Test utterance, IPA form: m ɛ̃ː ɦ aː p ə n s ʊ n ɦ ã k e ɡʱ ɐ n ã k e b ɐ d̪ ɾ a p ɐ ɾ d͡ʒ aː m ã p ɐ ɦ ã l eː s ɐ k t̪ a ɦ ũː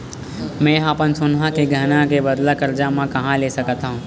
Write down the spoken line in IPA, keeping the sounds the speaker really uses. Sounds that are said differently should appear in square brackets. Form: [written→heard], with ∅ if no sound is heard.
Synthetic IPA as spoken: m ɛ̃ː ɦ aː p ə n s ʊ n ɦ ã k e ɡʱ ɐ n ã k e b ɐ d̪ [ɾ→l] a [p→k] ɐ ɾ d͡ʒ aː m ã [p→k] ɐ ɦ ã l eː s ɐ k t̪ a ɦ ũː